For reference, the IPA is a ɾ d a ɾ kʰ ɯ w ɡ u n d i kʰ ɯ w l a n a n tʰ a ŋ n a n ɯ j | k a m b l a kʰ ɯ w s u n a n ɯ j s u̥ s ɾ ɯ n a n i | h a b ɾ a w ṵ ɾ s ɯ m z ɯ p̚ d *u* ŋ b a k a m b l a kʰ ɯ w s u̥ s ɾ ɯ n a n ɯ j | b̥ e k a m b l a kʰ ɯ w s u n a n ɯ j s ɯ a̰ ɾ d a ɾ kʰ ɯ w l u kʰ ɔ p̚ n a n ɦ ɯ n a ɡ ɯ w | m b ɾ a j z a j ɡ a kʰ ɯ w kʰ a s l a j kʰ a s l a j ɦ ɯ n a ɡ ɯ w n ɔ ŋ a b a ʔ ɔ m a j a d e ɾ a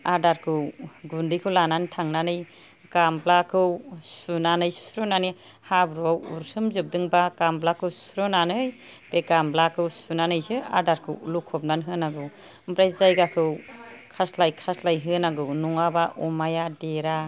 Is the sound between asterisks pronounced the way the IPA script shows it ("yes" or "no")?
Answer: no